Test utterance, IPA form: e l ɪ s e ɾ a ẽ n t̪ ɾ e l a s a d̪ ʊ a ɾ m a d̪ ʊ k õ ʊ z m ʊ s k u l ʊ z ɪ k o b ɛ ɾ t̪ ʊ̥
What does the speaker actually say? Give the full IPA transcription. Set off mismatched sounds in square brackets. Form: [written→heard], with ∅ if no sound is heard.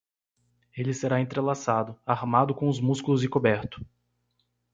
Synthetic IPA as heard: e l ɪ s e ɾ a ẽ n t̪ ɾ e l a s a d̪ ʊ a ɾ m a d̪ ʊ k õ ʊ z m [ʊ→u] s k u l ʊ z ɪ k o b ɛ ɾ t̪ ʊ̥